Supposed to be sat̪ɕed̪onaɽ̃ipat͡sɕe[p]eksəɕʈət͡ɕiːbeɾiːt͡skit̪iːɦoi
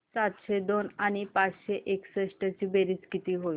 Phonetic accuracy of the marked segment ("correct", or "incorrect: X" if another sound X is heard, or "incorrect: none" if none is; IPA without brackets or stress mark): incorrect: ʔ